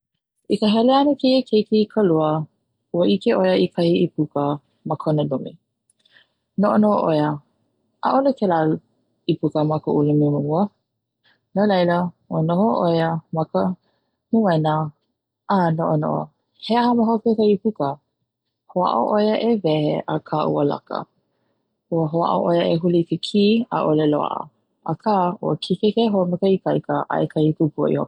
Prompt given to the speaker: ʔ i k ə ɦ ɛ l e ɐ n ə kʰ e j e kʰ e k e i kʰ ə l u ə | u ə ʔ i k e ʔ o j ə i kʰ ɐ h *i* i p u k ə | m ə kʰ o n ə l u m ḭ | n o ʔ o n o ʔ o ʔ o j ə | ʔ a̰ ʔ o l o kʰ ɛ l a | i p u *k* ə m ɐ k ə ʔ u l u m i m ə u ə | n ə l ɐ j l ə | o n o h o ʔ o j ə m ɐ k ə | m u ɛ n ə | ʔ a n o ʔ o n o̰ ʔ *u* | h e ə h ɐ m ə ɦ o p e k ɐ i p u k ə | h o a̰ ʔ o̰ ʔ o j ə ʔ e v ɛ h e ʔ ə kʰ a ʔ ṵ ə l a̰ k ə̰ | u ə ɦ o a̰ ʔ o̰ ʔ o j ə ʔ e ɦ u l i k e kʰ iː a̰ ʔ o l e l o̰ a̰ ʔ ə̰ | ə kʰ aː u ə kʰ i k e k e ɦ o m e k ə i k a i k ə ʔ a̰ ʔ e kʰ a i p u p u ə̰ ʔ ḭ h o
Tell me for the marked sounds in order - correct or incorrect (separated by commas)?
correct, correct, incorrect